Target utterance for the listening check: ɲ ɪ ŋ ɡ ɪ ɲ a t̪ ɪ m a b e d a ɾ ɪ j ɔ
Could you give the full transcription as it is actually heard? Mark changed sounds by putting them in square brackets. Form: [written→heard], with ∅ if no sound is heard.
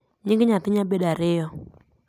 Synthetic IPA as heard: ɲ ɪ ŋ ɡ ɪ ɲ a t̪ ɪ [m→ɲ] a b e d a ɾ ɪ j ɔ